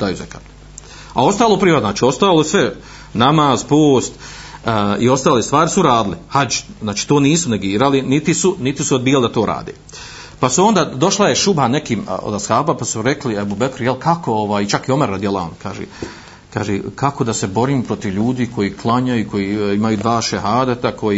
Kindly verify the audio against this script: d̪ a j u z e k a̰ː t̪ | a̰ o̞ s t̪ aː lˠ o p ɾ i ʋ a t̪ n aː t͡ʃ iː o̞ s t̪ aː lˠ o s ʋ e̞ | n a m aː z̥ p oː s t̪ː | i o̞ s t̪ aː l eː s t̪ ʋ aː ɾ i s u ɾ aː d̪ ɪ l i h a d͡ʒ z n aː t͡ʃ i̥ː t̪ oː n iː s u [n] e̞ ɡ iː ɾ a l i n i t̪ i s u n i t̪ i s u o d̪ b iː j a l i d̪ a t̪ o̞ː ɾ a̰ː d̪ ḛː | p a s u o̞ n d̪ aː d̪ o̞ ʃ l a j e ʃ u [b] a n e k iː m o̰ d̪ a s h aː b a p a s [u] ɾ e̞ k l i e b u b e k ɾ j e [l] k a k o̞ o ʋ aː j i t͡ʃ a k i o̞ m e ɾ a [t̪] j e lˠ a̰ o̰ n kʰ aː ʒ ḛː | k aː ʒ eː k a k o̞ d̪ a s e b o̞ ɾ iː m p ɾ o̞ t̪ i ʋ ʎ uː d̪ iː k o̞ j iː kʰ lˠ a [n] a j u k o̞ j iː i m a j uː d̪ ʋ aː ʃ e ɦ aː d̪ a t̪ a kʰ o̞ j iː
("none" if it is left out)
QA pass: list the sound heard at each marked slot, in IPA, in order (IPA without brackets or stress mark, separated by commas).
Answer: n, b, u, l, d̪, ɲ